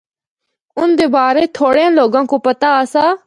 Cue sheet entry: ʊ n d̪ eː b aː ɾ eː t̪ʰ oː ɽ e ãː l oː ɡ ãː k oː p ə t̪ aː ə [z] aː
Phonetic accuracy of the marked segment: incorrect: s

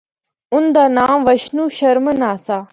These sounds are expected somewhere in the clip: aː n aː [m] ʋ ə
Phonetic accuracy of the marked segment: correct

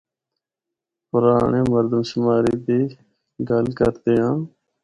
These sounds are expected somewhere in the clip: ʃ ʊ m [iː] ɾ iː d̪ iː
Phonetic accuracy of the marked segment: incorrect: aː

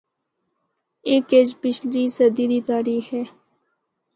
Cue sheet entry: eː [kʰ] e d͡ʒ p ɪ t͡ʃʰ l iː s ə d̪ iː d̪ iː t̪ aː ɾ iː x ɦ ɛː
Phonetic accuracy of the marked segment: incorrect: k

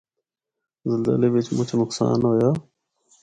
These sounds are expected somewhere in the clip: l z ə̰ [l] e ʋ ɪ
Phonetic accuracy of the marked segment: correct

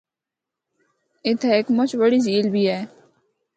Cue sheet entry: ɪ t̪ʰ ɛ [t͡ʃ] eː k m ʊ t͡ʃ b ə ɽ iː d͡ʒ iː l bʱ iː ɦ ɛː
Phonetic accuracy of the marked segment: incorrect: none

